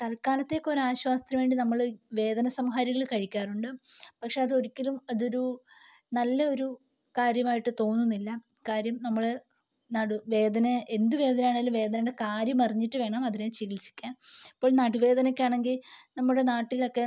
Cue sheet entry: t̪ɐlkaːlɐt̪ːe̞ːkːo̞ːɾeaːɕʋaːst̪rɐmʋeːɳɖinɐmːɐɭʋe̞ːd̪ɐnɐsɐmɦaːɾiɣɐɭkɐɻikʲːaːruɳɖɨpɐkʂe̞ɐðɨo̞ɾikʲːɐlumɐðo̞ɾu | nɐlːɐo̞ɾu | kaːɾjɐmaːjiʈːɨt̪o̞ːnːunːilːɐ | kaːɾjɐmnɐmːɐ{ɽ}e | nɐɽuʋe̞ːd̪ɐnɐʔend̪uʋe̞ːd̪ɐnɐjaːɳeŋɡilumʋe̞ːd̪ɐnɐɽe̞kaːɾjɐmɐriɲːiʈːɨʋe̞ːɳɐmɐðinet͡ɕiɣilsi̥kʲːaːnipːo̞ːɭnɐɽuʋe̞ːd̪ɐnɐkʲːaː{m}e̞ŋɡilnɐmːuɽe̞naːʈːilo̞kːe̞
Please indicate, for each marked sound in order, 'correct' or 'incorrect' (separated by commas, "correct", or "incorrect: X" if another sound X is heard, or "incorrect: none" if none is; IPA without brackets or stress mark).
incorrect: ɭ, incorrect: ɳ